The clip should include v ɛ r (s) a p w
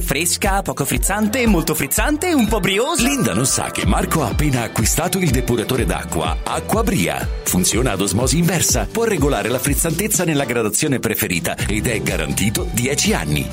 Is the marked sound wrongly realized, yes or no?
no